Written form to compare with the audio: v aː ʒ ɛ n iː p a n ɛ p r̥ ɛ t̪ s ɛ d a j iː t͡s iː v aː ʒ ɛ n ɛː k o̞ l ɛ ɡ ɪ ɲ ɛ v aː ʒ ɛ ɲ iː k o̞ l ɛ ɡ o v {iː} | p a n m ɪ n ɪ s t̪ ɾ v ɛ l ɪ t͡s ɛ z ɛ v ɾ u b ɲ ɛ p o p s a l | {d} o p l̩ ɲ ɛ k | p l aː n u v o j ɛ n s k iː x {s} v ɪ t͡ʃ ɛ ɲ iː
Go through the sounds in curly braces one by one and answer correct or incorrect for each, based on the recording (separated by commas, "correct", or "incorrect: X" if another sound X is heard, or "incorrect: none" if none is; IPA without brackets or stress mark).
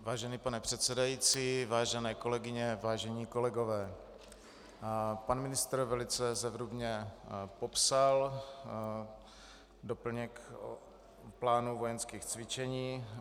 incorrect: ɛː, correct, incorrect: t͡s